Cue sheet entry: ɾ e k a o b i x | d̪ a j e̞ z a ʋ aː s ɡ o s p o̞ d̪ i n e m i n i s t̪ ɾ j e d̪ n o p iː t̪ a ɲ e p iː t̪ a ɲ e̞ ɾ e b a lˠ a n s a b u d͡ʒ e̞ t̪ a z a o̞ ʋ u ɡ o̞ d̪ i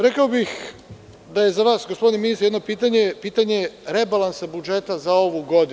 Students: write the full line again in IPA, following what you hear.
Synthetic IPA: ɾ e k a o b i x | d̪ a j e̞ z a ʋ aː s ɡ o s p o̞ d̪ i n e m i n i s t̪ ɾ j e d̪ n o p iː t̪ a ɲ e p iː t̪ a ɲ e̞ ɾ e b a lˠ a n s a b u d͡ʒ e̞ t̪ a z a o̞ ʋ u ɡ o̞ d̪ i